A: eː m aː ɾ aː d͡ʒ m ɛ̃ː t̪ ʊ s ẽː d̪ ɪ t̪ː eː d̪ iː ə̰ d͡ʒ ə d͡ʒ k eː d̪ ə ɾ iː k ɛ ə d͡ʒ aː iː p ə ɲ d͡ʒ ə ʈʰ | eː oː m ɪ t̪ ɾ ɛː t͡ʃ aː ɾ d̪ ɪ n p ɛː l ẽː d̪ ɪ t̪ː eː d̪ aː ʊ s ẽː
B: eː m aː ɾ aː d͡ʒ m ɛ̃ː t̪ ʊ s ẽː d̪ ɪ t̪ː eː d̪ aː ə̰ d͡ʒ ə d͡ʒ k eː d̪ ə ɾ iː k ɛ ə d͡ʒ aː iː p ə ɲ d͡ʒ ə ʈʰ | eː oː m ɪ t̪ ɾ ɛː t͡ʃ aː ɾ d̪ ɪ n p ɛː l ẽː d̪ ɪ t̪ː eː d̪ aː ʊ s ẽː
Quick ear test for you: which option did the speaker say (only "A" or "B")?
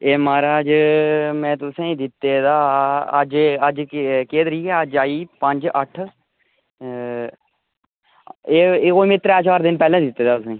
B